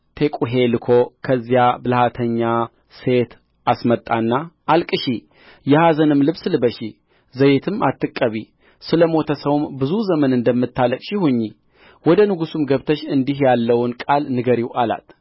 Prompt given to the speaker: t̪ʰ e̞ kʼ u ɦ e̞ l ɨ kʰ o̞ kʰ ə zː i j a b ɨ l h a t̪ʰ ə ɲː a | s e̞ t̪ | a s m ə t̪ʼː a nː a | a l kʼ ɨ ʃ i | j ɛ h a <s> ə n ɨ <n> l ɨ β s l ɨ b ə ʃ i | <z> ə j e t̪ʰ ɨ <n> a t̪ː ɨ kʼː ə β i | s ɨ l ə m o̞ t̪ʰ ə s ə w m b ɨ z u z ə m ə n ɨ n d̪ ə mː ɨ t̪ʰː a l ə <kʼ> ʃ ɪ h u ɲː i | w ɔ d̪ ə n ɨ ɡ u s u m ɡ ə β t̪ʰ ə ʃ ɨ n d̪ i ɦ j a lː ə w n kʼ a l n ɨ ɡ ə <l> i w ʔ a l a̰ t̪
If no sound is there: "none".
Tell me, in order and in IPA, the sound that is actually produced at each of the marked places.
z, m, z, m, kʼ, ɾ

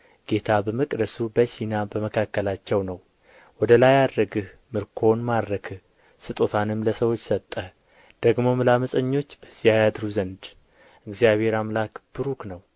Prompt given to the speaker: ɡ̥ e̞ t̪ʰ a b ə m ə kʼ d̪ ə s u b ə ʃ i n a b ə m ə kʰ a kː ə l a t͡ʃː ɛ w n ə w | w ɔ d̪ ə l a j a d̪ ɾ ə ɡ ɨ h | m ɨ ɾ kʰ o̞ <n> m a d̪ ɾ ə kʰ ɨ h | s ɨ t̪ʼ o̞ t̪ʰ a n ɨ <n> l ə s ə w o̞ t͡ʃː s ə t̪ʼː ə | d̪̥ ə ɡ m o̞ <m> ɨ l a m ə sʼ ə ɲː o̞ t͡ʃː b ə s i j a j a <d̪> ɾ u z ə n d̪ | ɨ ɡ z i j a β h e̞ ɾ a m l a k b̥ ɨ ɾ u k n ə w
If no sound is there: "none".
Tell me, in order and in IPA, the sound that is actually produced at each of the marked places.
n, m, m, d̪

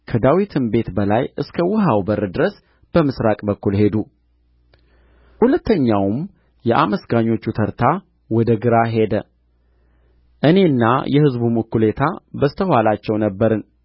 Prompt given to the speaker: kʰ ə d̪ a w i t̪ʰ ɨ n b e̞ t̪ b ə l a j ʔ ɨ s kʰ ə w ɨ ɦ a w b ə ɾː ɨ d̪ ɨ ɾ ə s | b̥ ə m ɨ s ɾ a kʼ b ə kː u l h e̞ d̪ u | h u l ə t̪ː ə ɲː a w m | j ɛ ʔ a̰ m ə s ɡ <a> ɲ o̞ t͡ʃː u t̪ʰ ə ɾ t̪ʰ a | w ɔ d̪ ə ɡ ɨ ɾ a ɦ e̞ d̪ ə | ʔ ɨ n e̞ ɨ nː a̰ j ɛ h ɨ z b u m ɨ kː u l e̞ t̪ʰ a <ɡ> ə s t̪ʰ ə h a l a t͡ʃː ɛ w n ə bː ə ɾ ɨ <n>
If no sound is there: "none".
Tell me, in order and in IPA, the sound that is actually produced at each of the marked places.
a, b, n

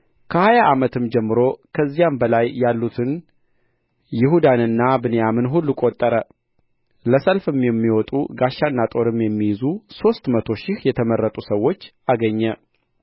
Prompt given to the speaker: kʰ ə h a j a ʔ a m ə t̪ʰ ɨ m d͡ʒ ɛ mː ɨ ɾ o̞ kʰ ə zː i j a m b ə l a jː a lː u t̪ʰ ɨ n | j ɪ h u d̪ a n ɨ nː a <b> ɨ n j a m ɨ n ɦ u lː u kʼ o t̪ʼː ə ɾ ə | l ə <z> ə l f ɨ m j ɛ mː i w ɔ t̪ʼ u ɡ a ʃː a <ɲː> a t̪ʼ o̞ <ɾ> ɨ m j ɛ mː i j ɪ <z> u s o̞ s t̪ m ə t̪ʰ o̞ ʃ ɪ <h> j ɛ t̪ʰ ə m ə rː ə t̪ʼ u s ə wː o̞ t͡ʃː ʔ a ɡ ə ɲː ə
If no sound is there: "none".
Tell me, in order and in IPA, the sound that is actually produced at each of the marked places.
b, s, nː, ɾ, z, h

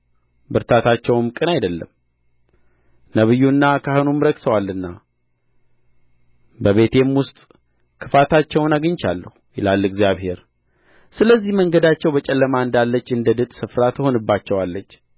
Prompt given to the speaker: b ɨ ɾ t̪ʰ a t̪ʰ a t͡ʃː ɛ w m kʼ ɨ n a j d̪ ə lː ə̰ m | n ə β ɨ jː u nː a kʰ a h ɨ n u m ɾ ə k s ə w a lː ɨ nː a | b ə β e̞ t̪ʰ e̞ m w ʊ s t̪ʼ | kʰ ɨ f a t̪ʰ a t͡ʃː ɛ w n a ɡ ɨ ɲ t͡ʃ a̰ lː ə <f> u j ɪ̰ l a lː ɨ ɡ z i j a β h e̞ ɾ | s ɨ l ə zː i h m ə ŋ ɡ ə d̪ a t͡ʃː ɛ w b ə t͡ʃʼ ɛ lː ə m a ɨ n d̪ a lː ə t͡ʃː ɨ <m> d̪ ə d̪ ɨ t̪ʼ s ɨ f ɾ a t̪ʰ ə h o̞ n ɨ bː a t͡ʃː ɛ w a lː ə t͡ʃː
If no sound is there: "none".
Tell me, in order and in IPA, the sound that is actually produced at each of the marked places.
h, n

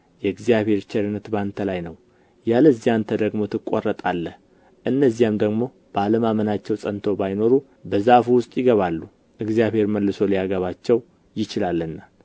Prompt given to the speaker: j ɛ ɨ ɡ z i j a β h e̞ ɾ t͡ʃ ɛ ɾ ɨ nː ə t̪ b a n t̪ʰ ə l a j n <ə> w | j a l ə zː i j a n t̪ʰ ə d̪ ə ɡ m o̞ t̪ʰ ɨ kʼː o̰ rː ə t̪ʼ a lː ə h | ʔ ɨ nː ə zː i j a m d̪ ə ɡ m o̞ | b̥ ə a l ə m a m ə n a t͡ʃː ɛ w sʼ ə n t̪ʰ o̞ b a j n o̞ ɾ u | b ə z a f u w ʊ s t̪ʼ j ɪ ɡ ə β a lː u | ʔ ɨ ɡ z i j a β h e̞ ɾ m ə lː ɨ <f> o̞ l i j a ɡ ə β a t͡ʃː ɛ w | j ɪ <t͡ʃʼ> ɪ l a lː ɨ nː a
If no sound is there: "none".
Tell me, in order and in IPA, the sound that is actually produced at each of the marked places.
ə, s, t͡ʃ

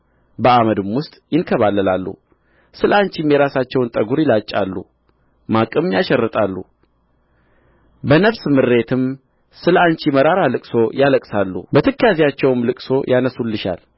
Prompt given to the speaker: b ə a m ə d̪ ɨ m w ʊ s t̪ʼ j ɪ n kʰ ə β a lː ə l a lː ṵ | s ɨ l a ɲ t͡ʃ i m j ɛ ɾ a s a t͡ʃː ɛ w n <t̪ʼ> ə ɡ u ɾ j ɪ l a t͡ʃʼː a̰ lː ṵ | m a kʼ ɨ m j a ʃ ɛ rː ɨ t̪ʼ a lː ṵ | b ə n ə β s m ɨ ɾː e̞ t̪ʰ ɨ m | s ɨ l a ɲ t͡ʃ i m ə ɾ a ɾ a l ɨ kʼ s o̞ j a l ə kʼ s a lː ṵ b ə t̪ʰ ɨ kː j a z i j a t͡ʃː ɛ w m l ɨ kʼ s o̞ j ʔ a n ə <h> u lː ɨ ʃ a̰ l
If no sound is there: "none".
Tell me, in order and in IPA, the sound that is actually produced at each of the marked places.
t̪ʼ, s

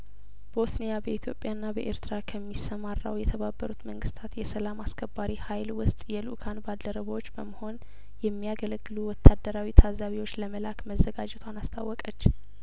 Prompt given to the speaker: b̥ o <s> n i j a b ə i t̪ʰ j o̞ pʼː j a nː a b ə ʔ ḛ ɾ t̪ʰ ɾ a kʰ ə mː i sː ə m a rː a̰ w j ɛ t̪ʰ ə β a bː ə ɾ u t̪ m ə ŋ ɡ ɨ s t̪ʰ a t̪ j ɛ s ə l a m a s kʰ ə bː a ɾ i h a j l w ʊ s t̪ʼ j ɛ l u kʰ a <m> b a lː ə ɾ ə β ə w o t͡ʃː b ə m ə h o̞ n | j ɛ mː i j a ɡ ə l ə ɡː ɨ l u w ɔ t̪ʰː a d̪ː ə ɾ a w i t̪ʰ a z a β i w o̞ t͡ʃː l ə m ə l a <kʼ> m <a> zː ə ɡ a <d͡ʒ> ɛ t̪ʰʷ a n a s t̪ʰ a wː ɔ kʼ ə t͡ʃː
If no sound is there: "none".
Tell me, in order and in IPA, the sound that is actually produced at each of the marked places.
s, n, k, ə, d͡ʒ

